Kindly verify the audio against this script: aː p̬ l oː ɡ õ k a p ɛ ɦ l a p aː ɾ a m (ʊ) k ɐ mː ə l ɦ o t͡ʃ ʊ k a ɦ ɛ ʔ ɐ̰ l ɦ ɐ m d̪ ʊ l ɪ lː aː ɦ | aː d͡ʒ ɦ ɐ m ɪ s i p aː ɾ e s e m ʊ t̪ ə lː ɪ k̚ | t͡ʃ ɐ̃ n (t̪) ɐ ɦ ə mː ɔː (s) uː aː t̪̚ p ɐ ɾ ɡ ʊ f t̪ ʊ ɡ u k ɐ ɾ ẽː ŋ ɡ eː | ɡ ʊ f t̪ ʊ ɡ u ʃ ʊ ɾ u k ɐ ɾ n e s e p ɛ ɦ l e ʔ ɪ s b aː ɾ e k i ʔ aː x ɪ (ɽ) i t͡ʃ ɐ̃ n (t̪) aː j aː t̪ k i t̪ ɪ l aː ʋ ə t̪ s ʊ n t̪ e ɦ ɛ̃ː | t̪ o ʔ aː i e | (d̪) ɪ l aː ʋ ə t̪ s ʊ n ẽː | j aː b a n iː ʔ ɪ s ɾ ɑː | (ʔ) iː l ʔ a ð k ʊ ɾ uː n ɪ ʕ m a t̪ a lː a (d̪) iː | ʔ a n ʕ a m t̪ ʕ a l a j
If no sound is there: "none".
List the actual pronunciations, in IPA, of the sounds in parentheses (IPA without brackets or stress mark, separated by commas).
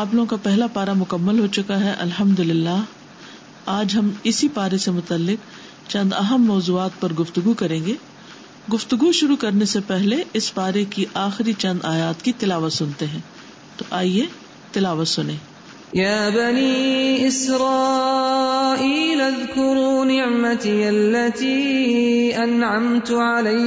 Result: ʊ, d̪, z, ɾ, d̪, t̪, ʔ, t̪